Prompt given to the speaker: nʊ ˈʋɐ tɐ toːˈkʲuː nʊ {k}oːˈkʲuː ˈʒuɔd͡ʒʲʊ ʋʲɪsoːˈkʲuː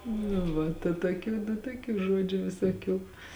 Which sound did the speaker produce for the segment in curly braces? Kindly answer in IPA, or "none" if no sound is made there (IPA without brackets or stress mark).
t